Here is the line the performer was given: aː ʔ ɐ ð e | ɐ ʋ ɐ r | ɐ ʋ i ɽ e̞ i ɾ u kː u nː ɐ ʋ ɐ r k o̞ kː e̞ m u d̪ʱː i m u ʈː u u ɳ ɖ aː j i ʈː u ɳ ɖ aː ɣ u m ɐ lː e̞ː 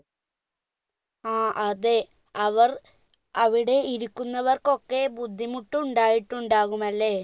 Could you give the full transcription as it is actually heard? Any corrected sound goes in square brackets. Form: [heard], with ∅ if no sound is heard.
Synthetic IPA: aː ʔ ɐ ð e | ɐ ʋ ɐ r | ɐ ʋ i ɽ e̞ i ɾ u kː u nː ɐ ʋ ɐ r k o̞ kː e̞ [b] u d̪ʱː i m u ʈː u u ɳ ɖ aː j i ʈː u ɳ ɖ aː ɣ u m ɐ lː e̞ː